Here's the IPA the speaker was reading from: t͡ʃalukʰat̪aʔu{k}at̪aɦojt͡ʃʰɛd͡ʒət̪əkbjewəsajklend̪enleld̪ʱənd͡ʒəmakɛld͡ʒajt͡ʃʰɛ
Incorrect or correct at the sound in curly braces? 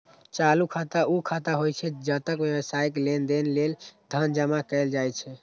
incorrect: kʰ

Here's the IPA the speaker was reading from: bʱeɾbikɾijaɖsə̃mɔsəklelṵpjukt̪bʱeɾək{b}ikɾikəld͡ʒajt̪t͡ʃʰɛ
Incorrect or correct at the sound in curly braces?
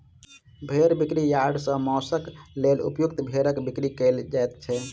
correct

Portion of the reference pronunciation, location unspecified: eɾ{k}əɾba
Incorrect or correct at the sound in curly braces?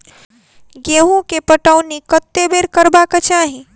correct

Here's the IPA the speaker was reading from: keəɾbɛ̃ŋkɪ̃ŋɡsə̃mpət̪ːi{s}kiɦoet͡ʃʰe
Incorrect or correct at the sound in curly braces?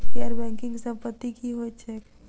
incorrect: none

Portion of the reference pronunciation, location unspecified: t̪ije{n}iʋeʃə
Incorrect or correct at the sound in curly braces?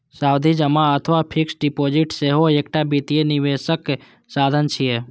correct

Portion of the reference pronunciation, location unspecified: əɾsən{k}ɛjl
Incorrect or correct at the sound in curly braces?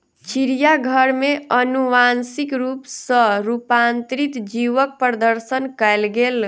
correct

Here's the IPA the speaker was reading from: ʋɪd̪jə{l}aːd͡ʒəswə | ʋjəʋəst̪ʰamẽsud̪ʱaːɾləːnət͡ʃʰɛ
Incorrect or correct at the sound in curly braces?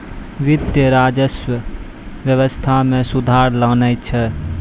incorrect: ɾ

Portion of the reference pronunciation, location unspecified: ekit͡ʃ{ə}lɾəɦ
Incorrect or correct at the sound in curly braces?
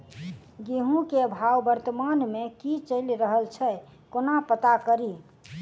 correct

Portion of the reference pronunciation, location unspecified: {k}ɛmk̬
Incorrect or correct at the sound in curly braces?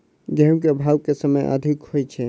incorrect: ɡ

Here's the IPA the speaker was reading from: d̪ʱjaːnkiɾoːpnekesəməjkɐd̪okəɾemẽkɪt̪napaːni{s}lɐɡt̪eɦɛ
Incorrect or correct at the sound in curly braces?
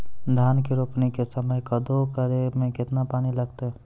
incorrect: none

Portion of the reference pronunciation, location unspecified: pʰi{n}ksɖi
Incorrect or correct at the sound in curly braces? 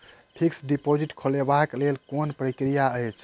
incorrect: none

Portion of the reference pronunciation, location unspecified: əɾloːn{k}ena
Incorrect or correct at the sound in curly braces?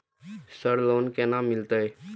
correct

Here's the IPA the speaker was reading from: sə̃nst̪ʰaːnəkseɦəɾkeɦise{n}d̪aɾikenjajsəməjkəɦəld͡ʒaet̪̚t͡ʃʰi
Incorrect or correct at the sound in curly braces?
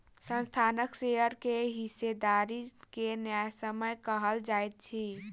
incorrect: none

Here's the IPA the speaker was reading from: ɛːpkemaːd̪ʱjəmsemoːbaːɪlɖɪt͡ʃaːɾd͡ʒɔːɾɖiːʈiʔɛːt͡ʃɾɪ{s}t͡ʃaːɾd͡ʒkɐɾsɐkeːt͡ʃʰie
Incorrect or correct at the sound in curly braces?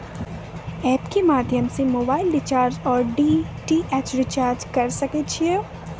incorrect: none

